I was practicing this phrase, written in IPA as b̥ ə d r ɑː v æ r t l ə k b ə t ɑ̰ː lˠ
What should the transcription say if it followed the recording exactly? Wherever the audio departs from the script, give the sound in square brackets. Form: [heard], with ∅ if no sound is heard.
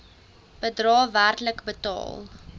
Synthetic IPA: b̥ ə d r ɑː v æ r t l ə k b ə t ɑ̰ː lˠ